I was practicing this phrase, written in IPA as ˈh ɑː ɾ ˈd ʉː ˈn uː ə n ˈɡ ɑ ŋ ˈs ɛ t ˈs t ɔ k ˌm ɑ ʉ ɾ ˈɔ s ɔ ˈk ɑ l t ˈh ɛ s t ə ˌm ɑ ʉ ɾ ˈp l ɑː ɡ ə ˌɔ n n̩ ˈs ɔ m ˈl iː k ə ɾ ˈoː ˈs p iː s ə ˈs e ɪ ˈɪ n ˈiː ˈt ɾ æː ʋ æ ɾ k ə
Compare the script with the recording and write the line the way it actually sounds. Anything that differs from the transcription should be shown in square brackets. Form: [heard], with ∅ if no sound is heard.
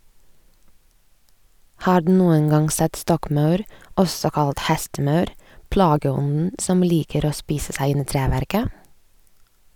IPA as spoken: ˈh ɑː ɾ ˈd ʉː ˈn uː ə n ˈɡ ɑ ŋ ˈs ɛ t ˈs t ɔ k ˌm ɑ ʉ ɾ ˈɔ s ɔ ˈk ɑ l t ˈh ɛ s t ə ˌm ɑ ʉ ɾ ˈp l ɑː ɡ ə ˌɔ n n̩ ˈs ɔ m ˈl iː k ə ɾ ˈoː ˈs p iː s ə ˈs [æ] ɪ ˈɪ n ˈiː ˈt ɾ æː ʋ æ ɾ k ə